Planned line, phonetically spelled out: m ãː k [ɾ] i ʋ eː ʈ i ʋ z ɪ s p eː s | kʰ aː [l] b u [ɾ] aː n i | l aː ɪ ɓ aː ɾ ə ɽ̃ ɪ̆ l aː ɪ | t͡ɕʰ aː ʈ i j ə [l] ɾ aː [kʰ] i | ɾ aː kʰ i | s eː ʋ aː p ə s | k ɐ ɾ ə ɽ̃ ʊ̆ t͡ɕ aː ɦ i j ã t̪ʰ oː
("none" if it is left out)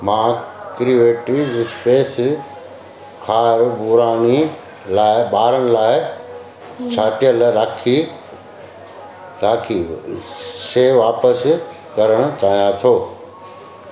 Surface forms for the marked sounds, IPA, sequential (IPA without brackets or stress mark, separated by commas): ɾ, ɾ, ɾ, l, kʰ